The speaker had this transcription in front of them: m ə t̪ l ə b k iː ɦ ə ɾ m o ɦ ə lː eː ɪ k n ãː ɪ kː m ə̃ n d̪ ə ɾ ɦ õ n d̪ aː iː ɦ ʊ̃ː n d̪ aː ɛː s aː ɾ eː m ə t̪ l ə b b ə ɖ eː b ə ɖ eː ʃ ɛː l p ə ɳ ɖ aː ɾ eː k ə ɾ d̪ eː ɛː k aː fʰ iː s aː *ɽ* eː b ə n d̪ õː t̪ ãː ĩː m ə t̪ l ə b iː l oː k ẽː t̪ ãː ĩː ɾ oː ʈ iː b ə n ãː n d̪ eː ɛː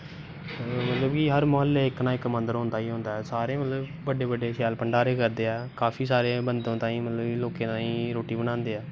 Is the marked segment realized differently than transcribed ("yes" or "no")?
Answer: yes